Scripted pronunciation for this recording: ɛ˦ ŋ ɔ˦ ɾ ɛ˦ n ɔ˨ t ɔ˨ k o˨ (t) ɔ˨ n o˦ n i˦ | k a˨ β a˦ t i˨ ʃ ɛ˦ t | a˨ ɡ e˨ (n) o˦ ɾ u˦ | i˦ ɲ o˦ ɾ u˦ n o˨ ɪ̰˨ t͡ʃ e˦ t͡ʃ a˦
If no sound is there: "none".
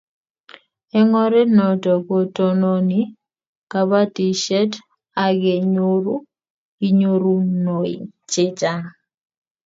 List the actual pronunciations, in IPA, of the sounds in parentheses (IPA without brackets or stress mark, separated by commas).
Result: t, ɲ